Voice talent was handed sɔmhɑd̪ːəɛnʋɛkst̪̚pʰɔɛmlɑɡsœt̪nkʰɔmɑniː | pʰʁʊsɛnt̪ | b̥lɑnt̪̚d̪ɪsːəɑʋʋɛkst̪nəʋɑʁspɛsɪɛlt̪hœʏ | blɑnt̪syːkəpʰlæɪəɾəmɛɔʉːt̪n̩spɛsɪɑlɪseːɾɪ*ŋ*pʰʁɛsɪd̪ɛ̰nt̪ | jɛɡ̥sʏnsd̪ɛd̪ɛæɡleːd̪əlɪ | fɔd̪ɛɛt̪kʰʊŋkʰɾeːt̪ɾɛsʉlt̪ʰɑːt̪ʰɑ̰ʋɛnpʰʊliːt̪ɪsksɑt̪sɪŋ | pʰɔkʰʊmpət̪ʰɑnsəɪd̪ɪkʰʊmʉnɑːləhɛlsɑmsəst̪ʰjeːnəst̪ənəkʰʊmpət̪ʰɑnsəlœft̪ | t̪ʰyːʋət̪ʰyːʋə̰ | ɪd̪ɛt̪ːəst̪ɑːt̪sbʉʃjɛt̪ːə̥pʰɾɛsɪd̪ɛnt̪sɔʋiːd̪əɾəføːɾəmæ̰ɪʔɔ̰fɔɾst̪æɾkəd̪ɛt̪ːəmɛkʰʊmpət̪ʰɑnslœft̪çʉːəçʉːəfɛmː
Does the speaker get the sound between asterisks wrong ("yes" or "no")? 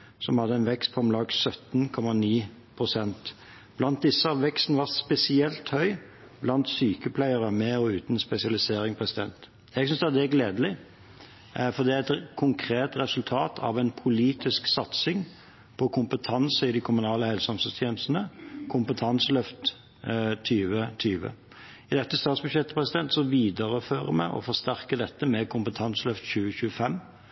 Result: no